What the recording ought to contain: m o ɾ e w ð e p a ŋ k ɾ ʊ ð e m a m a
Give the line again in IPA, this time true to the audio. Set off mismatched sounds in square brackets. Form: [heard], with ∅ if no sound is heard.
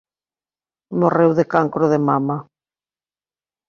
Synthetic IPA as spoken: m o [r] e w ð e [k] a ŋ k ɾ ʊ ð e m a m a